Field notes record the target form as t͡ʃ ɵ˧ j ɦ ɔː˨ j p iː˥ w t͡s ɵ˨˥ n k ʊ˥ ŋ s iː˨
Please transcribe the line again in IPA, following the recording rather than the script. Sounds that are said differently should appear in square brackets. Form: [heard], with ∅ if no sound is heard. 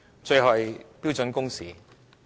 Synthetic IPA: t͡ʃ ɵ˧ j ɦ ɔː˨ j p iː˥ w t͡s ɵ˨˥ n k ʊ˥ ŋ s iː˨